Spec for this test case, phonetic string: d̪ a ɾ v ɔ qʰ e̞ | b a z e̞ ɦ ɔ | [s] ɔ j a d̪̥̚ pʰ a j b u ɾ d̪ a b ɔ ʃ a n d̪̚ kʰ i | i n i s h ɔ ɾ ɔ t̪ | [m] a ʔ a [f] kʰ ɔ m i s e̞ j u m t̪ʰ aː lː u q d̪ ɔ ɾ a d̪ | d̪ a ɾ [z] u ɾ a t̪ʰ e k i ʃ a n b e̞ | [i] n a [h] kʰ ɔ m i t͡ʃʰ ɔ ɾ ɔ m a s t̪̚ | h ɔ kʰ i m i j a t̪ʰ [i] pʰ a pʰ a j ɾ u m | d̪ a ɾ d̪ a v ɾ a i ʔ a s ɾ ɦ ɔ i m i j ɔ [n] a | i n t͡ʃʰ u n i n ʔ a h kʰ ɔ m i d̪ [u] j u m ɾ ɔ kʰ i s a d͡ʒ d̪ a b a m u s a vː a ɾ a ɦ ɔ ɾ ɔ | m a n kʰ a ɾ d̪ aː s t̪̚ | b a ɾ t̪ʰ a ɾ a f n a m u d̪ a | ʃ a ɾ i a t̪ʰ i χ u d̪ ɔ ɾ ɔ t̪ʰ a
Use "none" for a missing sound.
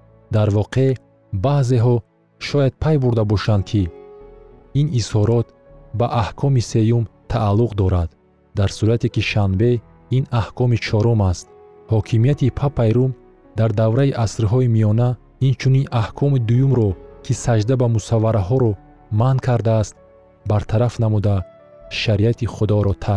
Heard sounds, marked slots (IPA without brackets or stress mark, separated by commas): ʃ, b, h, s, i, h, i, n, u